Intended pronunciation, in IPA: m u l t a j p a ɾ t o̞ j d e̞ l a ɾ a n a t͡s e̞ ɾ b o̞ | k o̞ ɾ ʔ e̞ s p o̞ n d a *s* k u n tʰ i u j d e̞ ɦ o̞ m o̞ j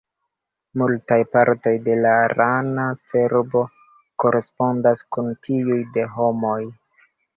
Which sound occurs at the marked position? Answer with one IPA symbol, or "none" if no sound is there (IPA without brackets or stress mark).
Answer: s